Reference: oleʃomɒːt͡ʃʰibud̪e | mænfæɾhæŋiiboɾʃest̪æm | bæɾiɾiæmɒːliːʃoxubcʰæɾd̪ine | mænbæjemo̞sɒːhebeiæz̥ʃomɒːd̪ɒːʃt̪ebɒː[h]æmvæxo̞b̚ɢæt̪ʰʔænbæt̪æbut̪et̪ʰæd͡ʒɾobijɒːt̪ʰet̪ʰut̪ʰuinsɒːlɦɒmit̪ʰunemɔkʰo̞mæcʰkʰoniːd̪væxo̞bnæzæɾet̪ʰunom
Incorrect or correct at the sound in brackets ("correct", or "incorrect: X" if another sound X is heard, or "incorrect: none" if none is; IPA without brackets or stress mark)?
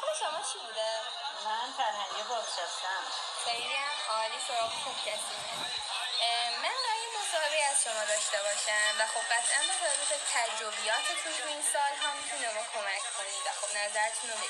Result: incorrect: ʃ